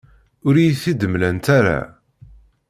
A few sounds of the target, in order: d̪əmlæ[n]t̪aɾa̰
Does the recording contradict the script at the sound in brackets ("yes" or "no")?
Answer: no